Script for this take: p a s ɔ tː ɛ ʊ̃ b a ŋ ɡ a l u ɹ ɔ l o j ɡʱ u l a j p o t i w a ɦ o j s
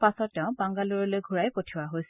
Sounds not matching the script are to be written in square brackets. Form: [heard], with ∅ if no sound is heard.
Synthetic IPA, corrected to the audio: p a s ɔ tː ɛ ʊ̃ b a ŋ ɡ a l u ɹ ɔ l o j ɡʱ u [ɹ] a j p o [tʰ] i w a ɦ o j s

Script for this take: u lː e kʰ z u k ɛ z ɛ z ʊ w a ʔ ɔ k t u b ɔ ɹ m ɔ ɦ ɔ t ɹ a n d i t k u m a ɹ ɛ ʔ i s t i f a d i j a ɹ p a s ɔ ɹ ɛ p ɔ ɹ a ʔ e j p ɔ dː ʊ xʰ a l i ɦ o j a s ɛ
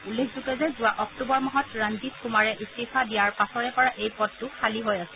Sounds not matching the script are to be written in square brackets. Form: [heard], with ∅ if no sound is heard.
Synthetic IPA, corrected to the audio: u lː e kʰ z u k ɛ z ɛ z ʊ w a ʔ ɔ k t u b ɔ ɹ m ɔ ɦ ɔ t ɹ a n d i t k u m a ɹ ɛ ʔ i s t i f a d i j a ɹ p a s ɔ ɹ ɛ p ɔ ɹ a ʔ e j p ɔ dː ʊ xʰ a l i ɦ o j a s ɛ

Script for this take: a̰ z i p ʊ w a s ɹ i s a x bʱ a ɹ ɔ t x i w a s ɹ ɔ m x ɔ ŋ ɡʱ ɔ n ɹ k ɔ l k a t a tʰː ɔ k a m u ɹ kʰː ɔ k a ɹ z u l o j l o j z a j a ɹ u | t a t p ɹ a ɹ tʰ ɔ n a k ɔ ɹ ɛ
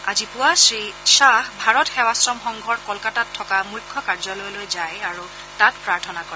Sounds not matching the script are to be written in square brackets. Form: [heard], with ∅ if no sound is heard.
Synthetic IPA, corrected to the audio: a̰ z i p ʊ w a s ɹ i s a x bʱ a ɹ ɔ t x [ɛ] w a s ɹ ɔ m x ɔ ŋ ɡʱ ɔ [∅] ɹ k ɔ l k a t a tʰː ɔ k a m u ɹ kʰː ɔ k a ɹ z [ɔ] l o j l o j z a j a ɹ u | t a t p ɹ a ɹ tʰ ɔ n a k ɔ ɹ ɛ

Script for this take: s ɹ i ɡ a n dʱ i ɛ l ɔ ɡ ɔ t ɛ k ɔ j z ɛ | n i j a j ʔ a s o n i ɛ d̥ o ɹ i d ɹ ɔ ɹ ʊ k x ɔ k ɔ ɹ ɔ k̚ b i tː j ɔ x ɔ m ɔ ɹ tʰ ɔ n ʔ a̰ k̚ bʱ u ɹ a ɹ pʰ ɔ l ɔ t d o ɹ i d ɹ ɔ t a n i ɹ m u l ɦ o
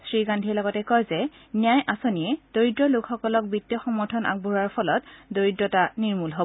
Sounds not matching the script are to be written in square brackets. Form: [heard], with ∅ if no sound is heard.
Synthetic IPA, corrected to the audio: s ɹ i ɡ a n dʱ i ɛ l ɔ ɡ ɔ t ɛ k ɔ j z ɛ | n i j a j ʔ a s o n i ɛ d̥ o ɹ i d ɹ ɔ [l] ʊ k x ɔ k ɔ [l] ɔ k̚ b i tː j ɔ x ɔ m ɔ ɹ tʰ ɔ n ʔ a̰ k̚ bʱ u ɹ a ɹ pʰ ɔ l ɔ t d o ɹ i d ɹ ɔ t a n i ɹ m u l ɦ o

